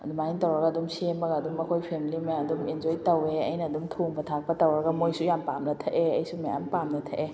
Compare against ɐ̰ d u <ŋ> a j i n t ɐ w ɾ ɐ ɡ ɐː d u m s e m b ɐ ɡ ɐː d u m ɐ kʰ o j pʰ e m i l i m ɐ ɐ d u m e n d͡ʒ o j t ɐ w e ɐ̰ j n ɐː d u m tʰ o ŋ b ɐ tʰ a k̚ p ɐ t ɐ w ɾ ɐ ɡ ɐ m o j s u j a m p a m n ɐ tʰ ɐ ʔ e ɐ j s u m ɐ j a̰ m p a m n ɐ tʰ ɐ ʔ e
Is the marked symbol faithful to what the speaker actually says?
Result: no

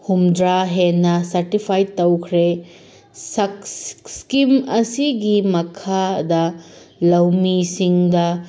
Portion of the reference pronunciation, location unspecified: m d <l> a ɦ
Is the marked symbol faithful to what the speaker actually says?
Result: no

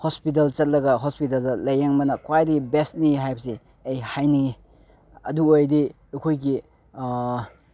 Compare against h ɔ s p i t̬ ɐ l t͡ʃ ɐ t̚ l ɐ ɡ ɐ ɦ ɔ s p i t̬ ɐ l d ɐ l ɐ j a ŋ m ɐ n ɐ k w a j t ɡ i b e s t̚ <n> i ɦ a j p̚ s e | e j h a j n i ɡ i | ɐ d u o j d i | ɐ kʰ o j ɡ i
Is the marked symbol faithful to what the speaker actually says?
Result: yes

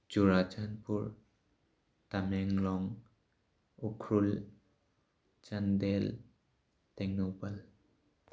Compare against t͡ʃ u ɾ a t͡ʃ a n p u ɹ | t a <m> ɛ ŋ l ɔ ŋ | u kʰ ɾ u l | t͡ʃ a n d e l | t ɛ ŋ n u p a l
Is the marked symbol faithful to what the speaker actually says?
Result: yes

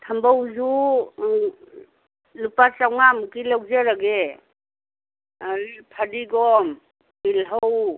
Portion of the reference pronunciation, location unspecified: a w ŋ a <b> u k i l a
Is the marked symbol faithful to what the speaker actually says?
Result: no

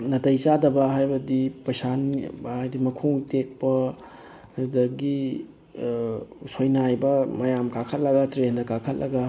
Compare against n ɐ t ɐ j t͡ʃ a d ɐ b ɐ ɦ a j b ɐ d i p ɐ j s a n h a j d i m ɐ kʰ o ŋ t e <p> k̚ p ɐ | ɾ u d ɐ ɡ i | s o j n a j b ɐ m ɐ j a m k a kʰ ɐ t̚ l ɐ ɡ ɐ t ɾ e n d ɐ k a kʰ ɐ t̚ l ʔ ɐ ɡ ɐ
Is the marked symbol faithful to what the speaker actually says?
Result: no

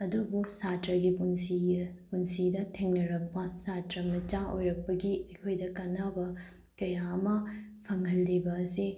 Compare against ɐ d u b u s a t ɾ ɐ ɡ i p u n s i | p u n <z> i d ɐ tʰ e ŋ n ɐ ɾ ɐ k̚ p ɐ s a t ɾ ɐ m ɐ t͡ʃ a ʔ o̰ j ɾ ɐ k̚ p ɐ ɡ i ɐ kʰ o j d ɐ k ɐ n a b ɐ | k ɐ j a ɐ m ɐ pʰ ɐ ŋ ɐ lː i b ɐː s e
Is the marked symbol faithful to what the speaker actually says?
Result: no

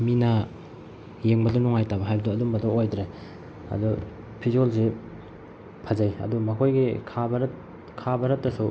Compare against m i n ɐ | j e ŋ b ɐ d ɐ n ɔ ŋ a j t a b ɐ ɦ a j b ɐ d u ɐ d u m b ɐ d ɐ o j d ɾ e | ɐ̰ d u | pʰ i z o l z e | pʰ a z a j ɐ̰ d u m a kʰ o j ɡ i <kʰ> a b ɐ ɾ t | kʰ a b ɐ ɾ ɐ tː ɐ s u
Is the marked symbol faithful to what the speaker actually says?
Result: yes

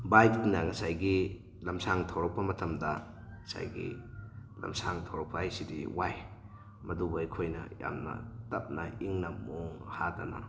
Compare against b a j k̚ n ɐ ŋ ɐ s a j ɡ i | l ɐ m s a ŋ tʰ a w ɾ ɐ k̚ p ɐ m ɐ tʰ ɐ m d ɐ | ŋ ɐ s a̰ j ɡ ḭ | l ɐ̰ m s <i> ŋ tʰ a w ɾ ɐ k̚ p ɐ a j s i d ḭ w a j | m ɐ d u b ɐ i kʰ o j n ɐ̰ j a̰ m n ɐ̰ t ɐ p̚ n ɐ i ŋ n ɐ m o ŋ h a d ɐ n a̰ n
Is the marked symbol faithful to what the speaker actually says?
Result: no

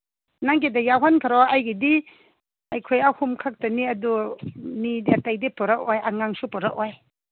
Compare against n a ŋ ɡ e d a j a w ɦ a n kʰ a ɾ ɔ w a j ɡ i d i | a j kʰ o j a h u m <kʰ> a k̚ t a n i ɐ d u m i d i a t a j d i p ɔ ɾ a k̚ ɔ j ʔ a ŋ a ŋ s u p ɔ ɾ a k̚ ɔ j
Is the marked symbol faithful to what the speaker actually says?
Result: yes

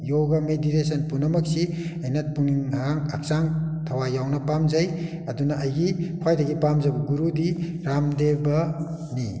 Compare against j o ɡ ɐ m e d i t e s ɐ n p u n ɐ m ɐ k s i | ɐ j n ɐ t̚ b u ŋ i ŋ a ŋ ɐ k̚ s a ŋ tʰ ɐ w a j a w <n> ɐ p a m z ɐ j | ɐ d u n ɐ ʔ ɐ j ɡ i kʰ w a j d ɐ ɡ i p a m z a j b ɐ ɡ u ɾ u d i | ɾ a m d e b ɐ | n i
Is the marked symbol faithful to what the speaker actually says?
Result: yes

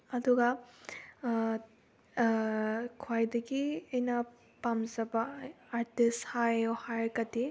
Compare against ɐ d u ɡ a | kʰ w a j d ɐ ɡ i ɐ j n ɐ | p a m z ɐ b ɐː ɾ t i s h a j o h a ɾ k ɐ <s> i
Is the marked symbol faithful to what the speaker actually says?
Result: no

